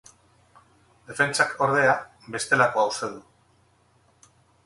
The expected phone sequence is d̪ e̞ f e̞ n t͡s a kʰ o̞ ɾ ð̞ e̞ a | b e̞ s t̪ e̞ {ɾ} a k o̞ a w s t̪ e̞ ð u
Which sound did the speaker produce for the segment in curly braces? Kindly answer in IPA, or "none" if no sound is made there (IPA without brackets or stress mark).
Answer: l